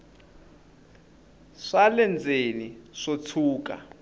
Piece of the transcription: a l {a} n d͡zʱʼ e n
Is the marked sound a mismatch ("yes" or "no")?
yes